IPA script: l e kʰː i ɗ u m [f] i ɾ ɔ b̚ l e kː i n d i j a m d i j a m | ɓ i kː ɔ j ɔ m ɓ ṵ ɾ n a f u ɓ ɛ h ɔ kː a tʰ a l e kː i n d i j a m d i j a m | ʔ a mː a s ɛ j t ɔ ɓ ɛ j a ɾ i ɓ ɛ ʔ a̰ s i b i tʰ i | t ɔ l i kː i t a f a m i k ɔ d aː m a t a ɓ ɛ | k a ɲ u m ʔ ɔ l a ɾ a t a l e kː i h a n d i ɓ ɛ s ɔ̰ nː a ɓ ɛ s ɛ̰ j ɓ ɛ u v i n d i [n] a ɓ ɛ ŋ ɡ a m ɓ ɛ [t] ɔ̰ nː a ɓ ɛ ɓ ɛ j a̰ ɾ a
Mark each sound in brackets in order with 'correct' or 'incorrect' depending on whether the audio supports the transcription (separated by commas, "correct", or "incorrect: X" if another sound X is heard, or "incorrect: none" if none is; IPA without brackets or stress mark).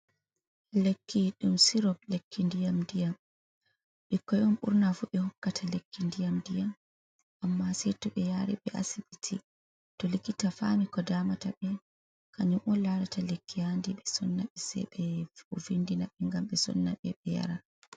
incorrect: s, correct, incorrect: s